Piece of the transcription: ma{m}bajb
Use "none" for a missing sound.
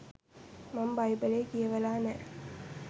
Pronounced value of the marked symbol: m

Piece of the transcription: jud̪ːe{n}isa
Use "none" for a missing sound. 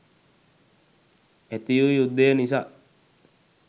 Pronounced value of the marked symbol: n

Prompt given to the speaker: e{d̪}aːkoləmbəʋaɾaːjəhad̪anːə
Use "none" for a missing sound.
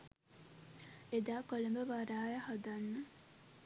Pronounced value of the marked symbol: d̪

